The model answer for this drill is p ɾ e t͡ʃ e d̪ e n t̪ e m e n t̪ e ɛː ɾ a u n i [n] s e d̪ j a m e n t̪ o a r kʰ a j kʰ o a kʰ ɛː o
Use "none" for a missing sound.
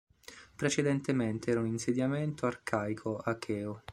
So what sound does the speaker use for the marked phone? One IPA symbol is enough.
n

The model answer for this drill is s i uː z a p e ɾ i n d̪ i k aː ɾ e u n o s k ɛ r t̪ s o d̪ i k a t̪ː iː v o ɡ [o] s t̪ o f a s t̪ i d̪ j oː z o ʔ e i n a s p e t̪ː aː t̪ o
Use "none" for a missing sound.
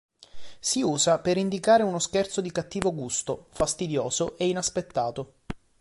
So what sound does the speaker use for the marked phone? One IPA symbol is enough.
u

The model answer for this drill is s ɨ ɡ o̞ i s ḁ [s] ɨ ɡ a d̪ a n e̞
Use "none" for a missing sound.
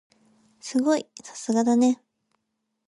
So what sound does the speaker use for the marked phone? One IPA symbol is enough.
s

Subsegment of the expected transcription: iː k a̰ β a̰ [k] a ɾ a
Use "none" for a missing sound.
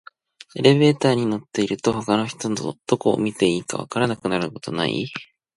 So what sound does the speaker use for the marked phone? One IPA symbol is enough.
k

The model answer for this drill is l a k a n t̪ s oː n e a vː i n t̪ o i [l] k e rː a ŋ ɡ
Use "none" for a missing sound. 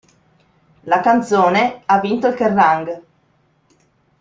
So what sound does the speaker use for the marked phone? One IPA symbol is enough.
l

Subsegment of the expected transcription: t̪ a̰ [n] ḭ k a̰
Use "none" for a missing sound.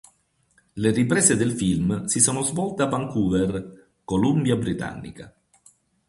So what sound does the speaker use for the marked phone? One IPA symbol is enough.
nː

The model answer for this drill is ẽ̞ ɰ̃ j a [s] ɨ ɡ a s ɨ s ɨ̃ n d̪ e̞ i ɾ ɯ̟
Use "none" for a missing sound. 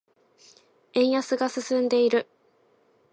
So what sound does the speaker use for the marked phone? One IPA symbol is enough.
s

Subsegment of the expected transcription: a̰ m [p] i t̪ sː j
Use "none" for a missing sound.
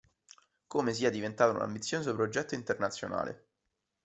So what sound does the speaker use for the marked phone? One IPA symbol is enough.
b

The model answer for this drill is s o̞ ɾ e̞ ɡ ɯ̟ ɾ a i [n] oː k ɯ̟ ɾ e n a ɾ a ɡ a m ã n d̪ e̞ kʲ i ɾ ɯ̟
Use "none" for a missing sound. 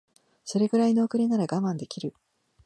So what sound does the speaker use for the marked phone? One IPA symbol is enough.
n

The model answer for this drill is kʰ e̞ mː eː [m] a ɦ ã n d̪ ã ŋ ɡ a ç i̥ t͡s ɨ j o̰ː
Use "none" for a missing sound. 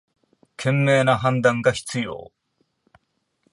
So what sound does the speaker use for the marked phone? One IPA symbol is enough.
n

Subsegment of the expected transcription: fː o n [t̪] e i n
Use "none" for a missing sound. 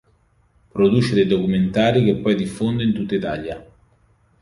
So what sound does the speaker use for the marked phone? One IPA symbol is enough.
d̪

